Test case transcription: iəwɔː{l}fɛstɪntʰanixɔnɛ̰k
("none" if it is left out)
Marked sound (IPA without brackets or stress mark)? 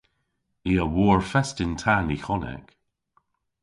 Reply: ɹ